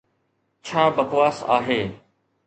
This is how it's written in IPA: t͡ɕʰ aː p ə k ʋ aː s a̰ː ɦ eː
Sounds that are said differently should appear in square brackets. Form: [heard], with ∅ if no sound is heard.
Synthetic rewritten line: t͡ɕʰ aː [b] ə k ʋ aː s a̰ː ɦ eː